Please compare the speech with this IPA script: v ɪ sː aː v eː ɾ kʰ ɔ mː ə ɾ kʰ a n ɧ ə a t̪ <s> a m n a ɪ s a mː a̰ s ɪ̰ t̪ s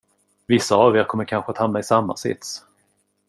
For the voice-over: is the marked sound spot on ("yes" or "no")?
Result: no